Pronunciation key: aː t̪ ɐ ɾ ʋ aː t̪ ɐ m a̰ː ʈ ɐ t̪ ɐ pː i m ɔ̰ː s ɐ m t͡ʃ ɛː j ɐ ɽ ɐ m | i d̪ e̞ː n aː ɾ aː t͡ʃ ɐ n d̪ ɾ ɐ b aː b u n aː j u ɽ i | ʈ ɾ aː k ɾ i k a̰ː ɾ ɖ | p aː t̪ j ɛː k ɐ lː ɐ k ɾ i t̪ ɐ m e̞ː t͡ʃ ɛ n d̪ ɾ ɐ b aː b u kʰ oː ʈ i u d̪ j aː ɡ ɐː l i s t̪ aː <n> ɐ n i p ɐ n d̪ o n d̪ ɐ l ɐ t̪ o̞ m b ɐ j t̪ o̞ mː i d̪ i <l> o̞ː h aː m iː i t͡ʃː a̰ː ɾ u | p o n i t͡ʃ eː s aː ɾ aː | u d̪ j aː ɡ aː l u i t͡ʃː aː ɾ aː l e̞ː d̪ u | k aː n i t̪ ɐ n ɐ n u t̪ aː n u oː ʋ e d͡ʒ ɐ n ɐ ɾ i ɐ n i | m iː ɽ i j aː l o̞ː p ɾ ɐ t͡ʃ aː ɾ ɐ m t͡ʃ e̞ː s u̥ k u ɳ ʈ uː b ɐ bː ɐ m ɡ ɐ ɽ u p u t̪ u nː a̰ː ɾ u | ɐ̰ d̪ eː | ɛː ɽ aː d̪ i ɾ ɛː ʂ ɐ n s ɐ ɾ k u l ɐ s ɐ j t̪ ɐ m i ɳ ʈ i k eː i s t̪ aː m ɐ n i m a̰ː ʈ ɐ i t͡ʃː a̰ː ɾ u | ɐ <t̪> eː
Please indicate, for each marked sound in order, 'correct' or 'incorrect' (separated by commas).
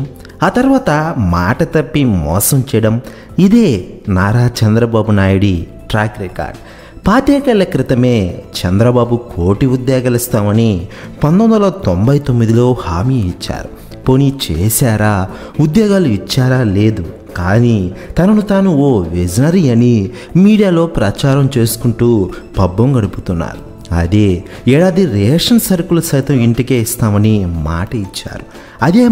incorrect, correct, incorrect